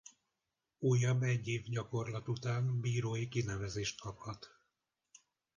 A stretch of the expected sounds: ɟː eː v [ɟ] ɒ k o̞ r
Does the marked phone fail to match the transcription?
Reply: no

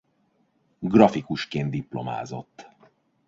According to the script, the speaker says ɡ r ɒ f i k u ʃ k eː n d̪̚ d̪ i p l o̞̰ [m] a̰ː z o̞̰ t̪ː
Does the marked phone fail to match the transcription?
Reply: no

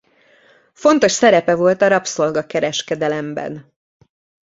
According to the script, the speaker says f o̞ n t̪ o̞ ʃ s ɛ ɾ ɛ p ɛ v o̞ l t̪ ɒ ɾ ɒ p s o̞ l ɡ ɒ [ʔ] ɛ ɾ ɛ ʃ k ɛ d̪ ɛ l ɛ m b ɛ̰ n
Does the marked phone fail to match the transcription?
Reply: yes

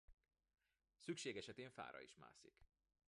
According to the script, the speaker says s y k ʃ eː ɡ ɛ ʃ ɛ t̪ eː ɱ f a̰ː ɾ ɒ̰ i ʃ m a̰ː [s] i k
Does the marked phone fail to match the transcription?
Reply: no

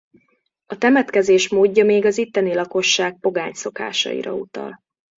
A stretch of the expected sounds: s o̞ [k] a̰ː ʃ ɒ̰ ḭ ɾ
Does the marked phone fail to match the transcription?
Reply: no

